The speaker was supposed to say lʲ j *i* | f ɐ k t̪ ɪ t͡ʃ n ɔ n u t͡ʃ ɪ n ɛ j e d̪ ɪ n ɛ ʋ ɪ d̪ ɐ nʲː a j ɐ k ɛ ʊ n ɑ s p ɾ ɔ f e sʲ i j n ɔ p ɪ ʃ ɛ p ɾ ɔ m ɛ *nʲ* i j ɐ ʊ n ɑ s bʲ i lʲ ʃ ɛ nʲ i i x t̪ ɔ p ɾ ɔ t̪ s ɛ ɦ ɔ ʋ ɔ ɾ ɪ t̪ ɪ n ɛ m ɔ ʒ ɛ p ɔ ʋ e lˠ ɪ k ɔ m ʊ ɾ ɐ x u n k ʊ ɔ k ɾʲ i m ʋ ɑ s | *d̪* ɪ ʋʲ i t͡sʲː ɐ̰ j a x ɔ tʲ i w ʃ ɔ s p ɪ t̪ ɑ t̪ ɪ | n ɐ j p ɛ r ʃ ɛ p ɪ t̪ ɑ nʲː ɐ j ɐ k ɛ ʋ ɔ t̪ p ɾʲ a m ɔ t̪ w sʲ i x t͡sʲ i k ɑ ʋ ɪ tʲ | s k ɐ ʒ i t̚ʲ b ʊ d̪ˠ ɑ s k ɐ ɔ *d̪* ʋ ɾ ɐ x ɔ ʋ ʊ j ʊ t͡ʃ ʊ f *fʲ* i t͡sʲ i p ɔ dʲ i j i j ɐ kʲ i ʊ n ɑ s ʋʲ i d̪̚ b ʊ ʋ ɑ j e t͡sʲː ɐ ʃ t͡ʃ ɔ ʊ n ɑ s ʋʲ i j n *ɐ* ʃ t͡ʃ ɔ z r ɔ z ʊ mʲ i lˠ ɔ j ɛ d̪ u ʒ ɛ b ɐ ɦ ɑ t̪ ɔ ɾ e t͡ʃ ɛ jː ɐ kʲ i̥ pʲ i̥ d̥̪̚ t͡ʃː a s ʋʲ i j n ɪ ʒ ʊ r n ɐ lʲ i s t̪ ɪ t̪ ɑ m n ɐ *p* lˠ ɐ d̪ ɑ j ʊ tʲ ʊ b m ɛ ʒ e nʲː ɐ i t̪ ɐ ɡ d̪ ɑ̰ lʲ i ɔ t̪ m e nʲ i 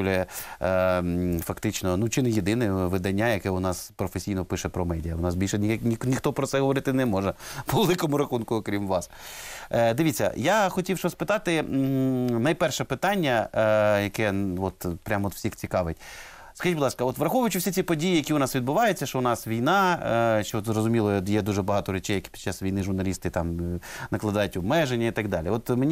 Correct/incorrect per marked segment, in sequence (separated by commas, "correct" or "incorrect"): incorrect, incorrect, correct, incorrect, incorrect, incorrect, incorrect